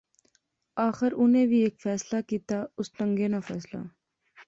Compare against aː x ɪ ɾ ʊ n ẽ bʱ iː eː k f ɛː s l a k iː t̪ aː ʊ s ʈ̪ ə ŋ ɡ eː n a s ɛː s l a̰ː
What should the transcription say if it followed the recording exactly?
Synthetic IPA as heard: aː x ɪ ɾ ʊ n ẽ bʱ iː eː k f ɛː s l a k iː t̪ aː ʊ s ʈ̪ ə ŋ ɡ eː n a f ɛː s l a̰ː